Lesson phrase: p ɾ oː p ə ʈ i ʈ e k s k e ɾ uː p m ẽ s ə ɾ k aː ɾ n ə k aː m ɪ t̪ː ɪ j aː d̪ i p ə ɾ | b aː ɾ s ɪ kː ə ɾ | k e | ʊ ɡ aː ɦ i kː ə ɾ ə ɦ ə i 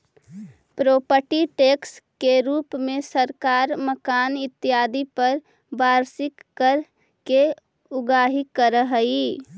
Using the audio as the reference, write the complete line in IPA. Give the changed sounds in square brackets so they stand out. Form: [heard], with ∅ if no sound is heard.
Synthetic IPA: p ɾ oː p ə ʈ i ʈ e k s k e ɾ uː p m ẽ s ə ɾ k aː ɾ [m] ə k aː [n] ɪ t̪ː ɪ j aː d̪ i p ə ɾ | b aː ɾ s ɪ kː ə ɾ | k e | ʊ ɡ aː ɦ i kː ə ɾ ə ɦ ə i